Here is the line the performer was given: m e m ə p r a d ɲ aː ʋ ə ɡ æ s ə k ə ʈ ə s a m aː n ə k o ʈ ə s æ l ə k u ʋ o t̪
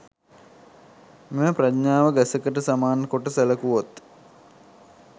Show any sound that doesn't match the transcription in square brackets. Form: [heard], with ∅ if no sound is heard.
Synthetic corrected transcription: m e m ə p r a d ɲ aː ʋ ə ɡ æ s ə k ə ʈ ə s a m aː n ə k o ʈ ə s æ l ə k u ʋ o t̪